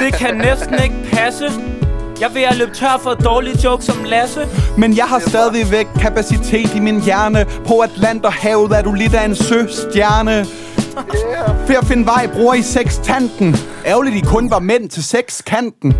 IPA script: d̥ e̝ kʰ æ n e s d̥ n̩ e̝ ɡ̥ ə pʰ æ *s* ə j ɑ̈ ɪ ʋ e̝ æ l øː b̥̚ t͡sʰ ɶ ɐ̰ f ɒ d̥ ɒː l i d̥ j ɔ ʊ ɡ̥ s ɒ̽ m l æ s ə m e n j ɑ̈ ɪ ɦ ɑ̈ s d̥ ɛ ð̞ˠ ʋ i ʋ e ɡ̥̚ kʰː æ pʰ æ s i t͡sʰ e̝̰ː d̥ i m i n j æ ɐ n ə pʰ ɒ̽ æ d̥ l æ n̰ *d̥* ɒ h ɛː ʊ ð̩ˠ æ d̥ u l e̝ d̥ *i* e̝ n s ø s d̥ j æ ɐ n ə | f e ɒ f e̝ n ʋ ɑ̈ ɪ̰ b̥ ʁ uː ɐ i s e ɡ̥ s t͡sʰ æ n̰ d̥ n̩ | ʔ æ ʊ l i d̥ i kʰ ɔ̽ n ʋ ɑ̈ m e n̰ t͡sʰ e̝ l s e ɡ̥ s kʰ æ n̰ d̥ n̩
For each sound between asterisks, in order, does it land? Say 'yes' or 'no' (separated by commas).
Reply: yes, yes, no